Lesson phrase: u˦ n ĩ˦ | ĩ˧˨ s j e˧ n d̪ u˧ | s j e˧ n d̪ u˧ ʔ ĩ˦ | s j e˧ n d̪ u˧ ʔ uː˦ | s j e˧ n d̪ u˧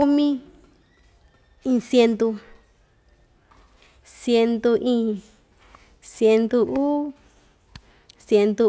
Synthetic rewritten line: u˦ m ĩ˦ | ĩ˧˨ s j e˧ n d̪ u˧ | s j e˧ n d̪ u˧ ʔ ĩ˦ | s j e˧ n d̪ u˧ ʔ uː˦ | s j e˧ n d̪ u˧